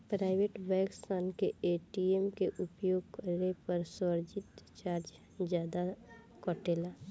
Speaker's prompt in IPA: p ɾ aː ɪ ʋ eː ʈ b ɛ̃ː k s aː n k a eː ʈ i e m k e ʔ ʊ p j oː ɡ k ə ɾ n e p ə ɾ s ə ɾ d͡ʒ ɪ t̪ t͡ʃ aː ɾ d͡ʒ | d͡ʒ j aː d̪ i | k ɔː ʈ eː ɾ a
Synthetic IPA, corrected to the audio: p ɾ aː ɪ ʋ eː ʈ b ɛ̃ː k s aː n k e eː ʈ i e m k e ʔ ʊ p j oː ɡ k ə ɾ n e p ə ɾ s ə ɾ d͡ʒ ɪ t̪ t͡ʃ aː ɾ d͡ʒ | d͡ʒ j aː d̪ a | k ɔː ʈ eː l a

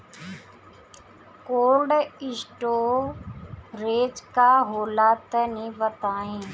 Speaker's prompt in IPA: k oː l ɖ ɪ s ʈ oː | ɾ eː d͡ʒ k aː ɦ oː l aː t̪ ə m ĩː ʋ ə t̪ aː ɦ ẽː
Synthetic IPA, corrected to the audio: k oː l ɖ ɪ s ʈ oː | ɾ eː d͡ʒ k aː ɦ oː l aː t̪ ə n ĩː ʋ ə t̪ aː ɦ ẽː

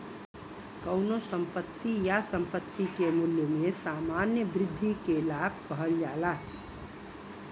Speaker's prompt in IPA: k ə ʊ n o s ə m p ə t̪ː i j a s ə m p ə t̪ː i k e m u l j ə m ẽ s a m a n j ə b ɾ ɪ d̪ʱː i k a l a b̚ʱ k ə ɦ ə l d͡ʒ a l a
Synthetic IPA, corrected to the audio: k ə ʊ n o s ə m p ə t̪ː i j a s ə m p ə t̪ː i k e m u l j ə m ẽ s a m a n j ə b ɾ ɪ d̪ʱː i k e l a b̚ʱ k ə ɦ ə l d͡ʒ a l a

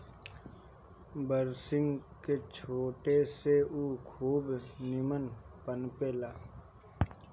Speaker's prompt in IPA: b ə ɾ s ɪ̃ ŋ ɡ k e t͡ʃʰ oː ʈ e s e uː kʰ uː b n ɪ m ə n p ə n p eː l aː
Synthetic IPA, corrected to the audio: b ə ɾ s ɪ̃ ŋ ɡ k e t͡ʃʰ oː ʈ e s e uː kʰ uː b n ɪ m ə n p ə n p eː l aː

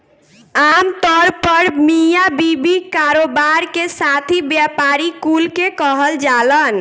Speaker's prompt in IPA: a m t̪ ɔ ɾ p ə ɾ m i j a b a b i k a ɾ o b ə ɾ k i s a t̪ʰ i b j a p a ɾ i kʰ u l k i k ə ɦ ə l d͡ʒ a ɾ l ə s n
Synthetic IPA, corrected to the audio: a m t̪ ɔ ɾ p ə ɾ m i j a b i b i k a ɾ o b a ɾ k e s a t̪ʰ i b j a p a ɾ i k u l k e k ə ɦ ə l d͡ʒ a l ə n

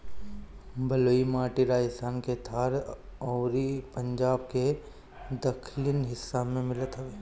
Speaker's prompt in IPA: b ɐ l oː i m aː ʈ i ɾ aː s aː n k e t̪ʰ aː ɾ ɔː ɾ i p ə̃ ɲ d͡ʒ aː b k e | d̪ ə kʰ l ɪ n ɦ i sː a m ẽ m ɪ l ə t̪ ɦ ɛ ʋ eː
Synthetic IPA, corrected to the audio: b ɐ l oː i m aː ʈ i ɾ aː s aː n k e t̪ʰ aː ɾ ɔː ɾ i p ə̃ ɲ d͡ʒ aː b k e | d̪ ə kʰ l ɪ n ɦ ɪ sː a m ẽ m ɪ l ə t̪ ɦ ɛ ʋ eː

